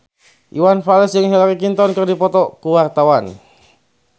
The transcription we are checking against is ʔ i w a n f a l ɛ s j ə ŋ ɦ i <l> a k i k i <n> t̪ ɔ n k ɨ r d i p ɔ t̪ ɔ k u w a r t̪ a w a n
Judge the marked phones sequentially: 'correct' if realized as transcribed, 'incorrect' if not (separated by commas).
correct, correct